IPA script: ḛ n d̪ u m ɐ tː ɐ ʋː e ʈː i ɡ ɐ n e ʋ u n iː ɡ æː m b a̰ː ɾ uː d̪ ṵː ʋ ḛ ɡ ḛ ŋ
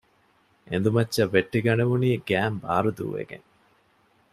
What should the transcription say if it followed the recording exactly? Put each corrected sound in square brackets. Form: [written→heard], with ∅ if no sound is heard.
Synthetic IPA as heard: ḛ n d̪ u m ɐ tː ɐ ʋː e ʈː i ɡ ɐ n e ʋ u n iː ɡ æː m b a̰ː ɾ [uː→u] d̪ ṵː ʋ ḛ ɡ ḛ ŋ